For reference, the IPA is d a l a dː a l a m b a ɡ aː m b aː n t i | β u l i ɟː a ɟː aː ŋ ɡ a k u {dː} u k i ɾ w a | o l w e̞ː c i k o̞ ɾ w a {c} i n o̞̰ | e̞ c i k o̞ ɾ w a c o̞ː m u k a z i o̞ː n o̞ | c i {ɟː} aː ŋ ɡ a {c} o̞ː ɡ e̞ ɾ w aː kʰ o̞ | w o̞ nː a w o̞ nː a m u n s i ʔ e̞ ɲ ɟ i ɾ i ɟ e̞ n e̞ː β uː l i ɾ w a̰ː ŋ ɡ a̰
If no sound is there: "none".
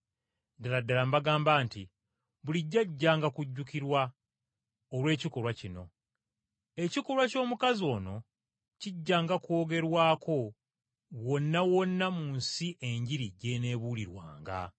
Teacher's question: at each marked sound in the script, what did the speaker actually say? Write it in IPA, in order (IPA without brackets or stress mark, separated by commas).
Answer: ɟː, c, ɟː, k